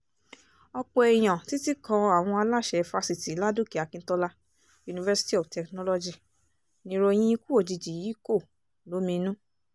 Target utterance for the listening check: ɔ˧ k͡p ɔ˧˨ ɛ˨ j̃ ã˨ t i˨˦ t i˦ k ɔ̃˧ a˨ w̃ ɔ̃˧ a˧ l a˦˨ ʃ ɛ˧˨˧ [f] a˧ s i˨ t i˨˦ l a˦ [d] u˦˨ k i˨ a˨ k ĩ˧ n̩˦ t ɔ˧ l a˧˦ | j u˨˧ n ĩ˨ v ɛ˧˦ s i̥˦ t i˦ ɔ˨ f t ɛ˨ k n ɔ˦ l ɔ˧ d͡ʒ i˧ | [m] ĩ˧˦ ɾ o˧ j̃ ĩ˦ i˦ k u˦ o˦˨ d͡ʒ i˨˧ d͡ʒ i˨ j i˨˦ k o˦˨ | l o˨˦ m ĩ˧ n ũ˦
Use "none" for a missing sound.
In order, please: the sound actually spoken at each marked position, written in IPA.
f, d, n

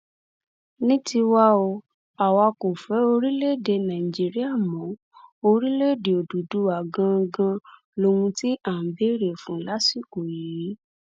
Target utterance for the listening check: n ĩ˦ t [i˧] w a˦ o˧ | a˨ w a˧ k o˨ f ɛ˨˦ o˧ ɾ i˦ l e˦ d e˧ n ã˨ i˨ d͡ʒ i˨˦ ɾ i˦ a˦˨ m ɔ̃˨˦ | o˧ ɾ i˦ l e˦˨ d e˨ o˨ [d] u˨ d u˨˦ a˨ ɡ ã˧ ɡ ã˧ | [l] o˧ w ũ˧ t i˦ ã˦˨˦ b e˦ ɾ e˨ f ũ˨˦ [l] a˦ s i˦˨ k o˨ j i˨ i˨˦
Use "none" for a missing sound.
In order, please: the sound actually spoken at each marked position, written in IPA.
i˧, d, l, l

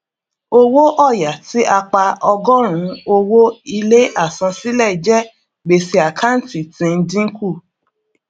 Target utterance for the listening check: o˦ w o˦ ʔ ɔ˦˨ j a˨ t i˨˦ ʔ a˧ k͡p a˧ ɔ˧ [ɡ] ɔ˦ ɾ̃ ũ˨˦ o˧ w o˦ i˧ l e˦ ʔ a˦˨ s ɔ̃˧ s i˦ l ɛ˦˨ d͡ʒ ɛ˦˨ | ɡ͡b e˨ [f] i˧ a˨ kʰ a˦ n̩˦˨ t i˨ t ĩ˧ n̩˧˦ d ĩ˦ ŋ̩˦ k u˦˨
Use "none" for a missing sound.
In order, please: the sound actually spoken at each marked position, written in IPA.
ɡ, s

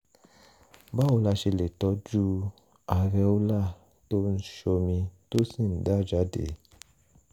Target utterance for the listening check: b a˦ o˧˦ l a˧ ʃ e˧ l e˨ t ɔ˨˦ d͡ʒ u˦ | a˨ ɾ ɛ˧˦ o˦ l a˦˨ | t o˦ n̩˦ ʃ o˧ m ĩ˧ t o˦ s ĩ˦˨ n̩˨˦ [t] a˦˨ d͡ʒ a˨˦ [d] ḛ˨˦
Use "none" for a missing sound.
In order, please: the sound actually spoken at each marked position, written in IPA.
d, d

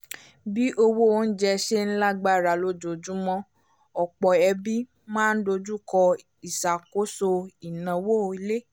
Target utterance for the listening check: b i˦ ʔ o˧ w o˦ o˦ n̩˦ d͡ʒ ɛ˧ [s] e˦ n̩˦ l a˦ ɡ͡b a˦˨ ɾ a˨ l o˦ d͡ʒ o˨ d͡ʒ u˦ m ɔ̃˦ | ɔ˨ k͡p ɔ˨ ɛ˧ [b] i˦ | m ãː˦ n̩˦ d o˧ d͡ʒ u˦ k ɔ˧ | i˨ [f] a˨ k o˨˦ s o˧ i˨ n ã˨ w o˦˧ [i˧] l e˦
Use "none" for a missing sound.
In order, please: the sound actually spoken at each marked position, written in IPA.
ʃ, b, s, i˧

